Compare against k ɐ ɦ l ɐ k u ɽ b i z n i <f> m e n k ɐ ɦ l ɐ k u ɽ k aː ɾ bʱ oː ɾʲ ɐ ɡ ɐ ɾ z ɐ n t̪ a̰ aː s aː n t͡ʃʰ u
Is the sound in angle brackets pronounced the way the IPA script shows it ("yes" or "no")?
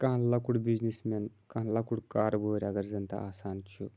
no